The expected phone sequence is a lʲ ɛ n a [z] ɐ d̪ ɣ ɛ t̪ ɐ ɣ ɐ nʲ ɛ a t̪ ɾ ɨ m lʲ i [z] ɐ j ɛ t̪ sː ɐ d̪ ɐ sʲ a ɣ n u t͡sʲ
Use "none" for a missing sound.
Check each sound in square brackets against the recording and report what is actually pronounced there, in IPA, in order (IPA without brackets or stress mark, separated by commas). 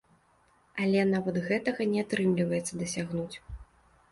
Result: v, v